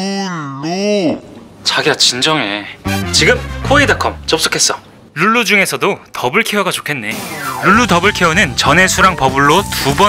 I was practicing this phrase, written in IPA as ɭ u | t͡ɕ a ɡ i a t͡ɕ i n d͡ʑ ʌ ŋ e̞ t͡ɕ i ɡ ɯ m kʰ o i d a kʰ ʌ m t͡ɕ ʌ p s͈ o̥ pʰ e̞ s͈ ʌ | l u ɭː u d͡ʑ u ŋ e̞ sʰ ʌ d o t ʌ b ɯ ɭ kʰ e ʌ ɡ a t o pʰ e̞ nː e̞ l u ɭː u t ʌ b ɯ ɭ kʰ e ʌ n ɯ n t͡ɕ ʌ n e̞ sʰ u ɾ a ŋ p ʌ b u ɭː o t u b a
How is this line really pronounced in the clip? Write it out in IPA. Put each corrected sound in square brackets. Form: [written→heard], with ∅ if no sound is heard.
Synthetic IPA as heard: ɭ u | t͡ɕ a ɡ i a t͡ɕ i n d͡ʑ ʌ ŋ e̞ t͡ɕ i ɡ ɯ m kʰ o i d a kʰ ʌ m t͡ɕ ʌ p s͈ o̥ [pʰ→kʰ] e̞ s͈ ʌ | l u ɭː u d͡ʑ u ŋ e̞ sʰ ʌ d o t ʌ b ɯ ɭ kʰ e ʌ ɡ a [t→t͡ɕ] o [pʰ→kʰ] e̞ nː e̞ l u ɭː u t ʌ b ɯ ɭ kʰ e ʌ n ɯ n t͡ɕ ʌ n e̞ sʰ u ɾ a ŋ p ʌ b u ɭː o t u b [a→ʌ]